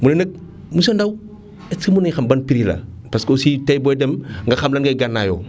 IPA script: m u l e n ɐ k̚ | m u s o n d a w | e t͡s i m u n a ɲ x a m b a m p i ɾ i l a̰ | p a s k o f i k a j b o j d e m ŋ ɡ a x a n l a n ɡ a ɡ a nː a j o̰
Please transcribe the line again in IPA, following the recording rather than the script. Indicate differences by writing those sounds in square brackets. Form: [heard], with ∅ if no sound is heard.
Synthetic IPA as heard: m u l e n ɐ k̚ | m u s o n d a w | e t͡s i m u n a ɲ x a m b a [n] p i ɾ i l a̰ | p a s k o [s] i [t] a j b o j d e m ŋ ɡ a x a [m] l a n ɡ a ɡ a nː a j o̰